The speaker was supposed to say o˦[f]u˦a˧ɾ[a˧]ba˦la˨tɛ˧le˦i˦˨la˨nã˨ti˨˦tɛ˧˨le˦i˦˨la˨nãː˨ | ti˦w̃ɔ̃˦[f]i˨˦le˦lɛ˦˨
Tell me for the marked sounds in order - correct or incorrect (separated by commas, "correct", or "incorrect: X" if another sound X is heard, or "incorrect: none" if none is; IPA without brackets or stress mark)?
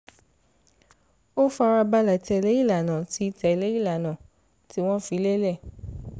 correct, correct, correct